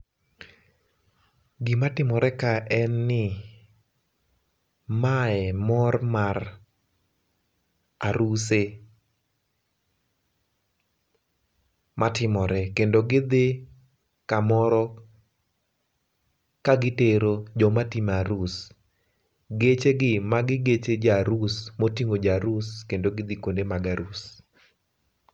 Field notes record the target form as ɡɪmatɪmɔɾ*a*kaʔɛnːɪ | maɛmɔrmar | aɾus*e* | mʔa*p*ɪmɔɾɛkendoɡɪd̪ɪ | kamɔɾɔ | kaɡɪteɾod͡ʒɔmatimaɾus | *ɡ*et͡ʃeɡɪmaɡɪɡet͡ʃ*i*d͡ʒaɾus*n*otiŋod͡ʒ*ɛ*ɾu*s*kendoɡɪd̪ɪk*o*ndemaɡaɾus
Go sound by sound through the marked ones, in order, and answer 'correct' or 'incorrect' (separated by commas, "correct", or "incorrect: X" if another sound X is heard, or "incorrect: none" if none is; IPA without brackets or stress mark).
incorrect: ɛ, correct, incorrect: t, correct, incorrect: e, incorrect: m, incorrect: a, correct, correct